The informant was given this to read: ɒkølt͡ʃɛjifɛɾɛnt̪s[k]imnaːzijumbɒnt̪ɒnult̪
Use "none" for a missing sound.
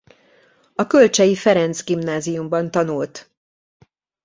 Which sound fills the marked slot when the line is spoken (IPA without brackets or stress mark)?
ɡ